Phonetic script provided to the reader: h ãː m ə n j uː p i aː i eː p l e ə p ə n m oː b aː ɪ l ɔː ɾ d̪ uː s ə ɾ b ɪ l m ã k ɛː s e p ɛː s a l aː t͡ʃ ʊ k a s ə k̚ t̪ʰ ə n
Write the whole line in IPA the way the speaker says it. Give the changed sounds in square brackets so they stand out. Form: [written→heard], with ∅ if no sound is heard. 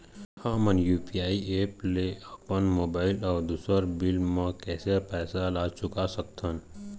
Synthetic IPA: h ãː m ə n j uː p i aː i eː p l e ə p ə n m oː b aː ɪ l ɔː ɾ d̪ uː s ə ɾ b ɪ l m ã k ɛː s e p ɛː s a l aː t͡ʃ ʊ k a s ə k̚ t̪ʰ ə n